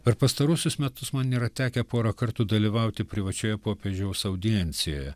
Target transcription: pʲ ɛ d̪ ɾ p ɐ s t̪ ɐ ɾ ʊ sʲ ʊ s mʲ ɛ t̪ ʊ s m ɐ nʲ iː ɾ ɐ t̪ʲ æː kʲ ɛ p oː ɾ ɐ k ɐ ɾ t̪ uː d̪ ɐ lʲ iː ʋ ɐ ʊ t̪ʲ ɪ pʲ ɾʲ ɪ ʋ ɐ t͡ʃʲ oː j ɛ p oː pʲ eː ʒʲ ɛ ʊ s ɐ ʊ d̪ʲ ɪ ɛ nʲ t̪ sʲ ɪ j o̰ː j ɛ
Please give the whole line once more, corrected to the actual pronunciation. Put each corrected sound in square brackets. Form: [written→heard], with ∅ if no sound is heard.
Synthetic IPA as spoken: pʲ ɛ [d̪→∅] ɾ p ɐ s t̪ ɐ ɾ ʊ sʲ ʊ s mʲ ɛ t̪ ʊ s m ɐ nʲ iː ɾ ɐ t̪ʲ æː kʲ ɛ p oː ɾ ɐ k ɐ ɾ t̪ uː d̪ ɐ lʲ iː ʋ ɐ ʊ t̪ʲ ɪ pʲ ɾʲ ɪ ʋ ɐ t͡ʃʲ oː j ɛ p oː pʲ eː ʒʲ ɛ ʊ s ɐ ʊ d̪ʲ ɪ ɛ nʲ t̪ sʲ ɪ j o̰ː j ɛ